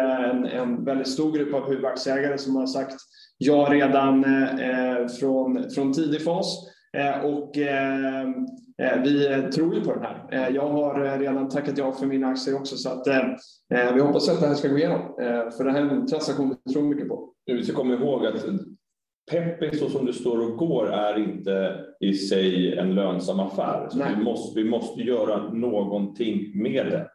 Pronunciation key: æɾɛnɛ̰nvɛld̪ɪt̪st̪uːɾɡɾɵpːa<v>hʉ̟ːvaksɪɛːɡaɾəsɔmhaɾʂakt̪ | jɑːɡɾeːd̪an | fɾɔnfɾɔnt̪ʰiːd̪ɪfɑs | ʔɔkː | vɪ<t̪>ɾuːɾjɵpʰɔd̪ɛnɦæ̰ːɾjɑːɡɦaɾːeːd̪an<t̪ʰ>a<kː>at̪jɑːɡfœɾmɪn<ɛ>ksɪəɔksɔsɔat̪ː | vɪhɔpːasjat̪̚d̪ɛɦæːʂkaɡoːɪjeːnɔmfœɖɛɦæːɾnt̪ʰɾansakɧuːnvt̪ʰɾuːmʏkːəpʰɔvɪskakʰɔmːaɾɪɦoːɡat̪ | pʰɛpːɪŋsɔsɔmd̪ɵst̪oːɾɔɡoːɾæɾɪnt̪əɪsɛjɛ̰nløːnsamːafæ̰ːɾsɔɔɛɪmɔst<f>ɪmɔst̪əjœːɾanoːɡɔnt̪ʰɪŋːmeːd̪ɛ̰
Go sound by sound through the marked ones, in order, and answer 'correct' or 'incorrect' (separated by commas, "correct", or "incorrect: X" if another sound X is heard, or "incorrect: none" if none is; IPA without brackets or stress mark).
correct, incorrect: t̪ʰ, correct, correct, incorrect: a, incorrect: v